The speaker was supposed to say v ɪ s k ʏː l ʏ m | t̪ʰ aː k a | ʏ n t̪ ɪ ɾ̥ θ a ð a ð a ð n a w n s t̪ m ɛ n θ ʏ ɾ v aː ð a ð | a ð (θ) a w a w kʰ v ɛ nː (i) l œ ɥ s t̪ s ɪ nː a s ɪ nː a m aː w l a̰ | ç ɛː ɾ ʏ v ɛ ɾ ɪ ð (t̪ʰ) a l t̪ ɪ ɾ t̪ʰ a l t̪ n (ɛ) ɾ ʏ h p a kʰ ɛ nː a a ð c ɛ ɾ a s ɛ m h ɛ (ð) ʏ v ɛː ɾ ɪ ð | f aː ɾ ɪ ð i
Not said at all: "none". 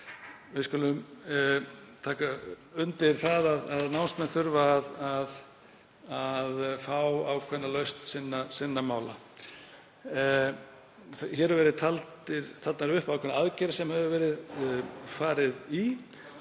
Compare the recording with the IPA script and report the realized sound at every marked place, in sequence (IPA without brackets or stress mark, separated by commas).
f, a, t̪ʰ, a, v